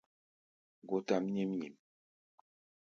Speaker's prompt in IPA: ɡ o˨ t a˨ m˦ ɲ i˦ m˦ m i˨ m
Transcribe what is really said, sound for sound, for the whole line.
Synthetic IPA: ɡ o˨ t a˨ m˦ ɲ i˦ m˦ ɲ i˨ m